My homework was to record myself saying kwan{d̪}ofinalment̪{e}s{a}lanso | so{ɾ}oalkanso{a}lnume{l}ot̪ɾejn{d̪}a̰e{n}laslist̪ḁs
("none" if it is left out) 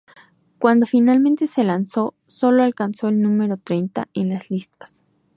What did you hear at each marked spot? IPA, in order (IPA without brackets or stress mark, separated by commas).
d̪, e, e, l, e, ɾ, t̪, n